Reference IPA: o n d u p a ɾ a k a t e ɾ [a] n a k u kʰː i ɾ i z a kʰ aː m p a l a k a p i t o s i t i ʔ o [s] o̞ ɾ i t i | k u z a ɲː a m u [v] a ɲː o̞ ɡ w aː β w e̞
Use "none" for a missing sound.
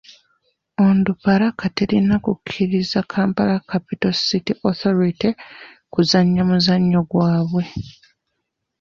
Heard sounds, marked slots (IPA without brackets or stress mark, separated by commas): i, θ, z